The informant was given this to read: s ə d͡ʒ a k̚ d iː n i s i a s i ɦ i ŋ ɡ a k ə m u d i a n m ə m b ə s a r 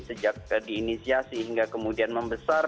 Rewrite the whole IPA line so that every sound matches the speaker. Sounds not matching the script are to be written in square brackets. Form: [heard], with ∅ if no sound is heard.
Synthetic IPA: s ə d͡ʒ a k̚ d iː n i s i a s i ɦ i ŋ ɡ a k ə m u d i a n m ə m b ə s a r